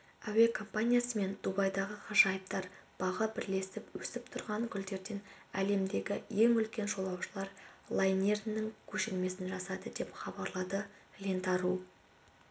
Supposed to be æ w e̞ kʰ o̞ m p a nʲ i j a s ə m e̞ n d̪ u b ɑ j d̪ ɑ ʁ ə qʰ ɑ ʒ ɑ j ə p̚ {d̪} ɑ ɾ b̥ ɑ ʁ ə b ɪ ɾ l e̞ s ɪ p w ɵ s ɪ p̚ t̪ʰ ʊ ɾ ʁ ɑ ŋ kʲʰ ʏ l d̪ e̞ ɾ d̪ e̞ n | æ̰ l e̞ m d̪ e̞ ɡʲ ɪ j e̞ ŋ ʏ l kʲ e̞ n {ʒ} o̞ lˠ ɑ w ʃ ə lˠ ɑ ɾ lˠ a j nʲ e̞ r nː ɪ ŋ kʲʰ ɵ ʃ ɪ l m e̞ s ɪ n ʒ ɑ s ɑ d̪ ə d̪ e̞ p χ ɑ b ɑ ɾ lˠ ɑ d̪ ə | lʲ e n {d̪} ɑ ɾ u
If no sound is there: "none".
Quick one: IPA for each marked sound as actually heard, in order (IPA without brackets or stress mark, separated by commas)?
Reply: t̪, ʒ, t̪